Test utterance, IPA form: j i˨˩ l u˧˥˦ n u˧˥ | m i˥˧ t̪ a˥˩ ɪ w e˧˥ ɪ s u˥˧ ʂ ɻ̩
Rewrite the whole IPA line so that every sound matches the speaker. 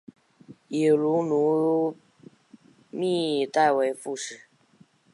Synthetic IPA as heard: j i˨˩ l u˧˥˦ n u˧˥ | m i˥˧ t̪ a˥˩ ɪ w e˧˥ ɪ f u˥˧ ʂ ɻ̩